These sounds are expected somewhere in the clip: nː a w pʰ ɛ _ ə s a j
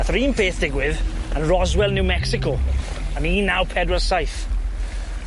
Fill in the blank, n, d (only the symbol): d